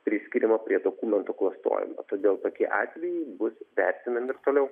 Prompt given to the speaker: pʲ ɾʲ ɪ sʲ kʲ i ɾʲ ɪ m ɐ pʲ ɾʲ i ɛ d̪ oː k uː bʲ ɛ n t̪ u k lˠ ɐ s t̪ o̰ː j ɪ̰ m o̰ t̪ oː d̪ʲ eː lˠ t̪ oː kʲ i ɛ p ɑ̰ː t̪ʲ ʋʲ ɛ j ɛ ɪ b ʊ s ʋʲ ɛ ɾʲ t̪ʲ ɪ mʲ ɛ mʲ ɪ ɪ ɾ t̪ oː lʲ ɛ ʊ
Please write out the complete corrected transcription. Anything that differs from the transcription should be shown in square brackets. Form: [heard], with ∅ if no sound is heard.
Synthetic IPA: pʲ ɾʲ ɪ sʲ kʲ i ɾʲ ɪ m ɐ pʲ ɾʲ i ɛ d̪ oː k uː [mʲ] ɛ n t̪ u k lˠ ɐ s t̪ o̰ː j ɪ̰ m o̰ t̪ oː d̪ʲ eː lˠ t̪ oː kʲ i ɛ [ʔ] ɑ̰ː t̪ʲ ʋʲ ɛ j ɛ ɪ b ʊ s ʋʲ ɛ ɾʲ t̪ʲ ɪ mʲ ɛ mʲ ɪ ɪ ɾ t̪ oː lʲ ɛ ʊ

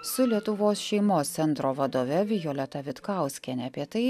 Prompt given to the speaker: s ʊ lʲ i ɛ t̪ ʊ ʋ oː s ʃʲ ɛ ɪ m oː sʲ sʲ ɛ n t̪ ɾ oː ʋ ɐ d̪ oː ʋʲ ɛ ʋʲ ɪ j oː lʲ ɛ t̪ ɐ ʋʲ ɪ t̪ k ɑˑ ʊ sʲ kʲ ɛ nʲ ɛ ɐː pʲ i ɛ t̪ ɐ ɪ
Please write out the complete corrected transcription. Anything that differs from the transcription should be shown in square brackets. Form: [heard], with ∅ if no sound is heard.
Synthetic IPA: s ʊ lʲ i ɛ t̪ ʊ ʋ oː s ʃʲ ɛ ɪ m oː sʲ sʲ ɛ n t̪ ɾ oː ʋ ɐ d̪ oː ʋʲ ɛ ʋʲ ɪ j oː lʲ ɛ t̪ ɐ ʋʲ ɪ t̪ k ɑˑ ʊ sʲ kʲ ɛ nʲ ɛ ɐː pʲ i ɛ t̪ ɐ ɪ

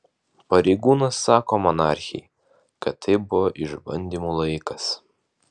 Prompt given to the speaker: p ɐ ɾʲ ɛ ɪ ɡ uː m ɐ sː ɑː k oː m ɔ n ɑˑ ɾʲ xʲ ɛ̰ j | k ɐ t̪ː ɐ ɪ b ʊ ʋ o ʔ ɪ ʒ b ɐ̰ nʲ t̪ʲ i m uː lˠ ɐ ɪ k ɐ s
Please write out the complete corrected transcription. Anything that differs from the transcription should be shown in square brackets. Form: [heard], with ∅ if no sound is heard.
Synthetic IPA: p ɐ ɾʲ ɛ ɪ ɡ uː [n] ɐ sː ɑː k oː m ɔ n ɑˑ ɾʲ xʲ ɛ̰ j | k ɐ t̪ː ɐ ɪ b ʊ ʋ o ʔ ɪ ʒ b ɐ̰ nʲ [d̪ʲ] i m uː lˠ ɐ ɪ k ɐ s

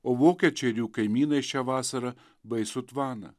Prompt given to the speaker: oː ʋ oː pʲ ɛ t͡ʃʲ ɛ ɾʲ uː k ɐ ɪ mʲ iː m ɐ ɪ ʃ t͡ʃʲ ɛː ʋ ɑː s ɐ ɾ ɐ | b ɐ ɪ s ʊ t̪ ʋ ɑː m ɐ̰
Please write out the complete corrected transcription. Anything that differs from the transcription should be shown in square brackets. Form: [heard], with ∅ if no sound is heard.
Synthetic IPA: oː ʋ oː [kʲ] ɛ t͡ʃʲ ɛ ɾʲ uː k ɐ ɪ mʲ iː [n] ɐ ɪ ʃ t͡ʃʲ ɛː ʋ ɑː s ɐ ɾ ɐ | b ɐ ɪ s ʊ t̪ ʋ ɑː [n] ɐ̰

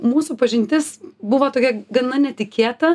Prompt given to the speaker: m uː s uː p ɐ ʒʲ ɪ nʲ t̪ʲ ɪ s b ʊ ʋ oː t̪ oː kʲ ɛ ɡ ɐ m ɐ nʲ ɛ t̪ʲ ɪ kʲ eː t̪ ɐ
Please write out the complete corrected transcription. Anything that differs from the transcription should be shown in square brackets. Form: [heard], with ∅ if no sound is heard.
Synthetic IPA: m uː s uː p ɐ ʒʲ ɪ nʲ t̪ʲ ɪ s b ʊ ʋ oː t̪ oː kʲ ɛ ɡ ɐ [n] ɐ nʲ ɛ t̪ʲ ɪ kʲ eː t̪ ɐ

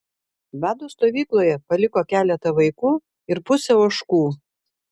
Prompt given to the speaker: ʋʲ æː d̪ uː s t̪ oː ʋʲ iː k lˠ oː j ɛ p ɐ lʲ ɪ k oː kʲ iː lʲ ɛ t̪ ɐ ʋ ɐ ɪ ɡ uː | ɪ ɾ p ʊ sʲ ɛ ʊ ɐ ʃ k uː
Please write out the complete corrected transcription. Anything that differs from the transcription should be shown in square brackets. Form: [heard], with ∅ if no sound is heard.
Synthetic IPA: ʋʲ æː d̪ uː s t̪ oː ʋʲ iː k lˠ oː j ɛ p ɐ lʲ ɪ k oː kʲ [æː] lʲ ɛ t̪ ɐ ʋ ɐ ɪ [k] uː | ɪ ɾ p ʊ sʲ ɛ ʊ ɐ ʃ k uː

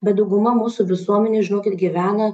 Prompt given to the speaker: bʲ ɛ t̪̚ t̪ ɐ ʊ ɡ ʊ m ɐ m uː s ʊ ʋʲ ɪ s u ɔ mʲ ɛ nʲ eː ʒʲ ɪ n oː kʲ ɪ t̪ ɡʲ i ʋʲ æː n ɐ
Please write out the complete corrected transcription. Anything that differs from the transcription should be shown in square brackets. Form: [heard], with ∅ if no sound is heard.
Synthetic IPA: bʲ ɛ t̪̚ [d̪] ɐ ʊ ɡ ʊ m ɐ m uː s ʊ ʋʲ ɪ s u ɔ mʲ ɛ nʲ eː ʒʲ ɪ n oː kʲ ɪ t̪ ɡʲ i ʋʲ æː n ɐ

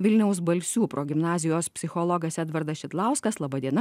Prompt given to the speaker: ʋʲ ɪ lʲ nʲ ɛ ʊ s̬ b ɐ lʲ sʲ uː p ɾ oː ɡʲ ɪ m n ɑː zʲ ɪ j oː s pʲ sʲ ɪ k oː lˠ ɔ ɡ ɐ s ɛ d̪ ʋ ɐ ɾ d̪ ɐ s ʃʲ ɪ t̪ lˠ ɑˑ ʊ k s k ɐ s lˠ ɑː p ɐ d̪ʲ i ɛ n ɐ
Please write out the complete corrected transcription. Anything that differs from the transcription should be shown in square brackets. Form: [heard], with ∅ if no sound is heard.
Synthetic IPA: ʋʲ ɪ lʲ nʲ ɛ ʊ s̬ b ɐ lʲ sʲ uː p ɾ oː ɡʲ ɪ m n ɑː zʲ ɪ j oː s pʲ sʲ ɪ [x] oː lˠ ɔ ɡ ɐ s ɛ d̪ ʋ ɐ ɾ d̪ ɐ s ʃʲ ɪ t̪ lˠ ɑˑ ʊ [∅] s k ɐ s lˠ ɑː [b] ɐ d̪ʲ i ɛ n ɐ

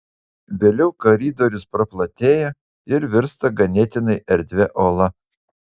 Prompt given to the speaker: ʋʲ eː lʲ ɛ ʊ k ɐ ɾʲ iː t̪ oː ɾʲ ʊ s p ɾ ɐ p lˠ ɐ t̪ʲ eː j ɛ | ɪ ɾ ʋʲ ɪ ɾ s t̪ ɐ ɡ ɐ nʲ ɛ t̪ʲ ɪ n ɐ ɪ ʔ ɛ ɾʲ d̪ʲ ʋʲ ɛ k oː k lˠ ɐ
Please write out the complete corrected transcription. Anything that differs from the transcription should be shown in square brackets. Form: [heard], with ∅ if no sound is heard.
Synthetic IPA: ʋʲ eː lʲ ɛ ʊ k ɐ ɾʲ iː [d̪] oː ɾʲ ʊ s p ɾ ɐ p lˠ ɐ t̪ʲ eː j ɛ | ɪ ɾ ʋʲ ɪ ɾ s t̪ ɐ ɡ ɐ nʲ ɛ t̪ʲ ɪ n ɐ ɪ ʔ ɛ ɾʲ d̪ʲ ʋʲ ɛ [ʔ] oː [∅] lˠ ɐ

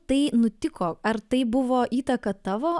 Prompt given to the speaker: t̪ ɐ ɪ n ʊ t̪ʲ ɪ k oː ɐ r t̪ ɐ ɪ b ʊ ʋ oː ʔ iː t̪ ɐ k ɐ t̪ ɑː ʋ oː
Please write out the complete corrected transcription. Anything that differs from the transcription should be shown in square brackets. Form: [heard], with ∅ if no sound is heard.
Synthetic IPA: t̪ ɐ ɪ n ʊ t̪ʲ ɪ k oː ɐ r t̪ ɐ ɪ b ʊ ʋ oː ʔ iː t̪ ɐ k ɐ t̪ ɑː ʋ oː

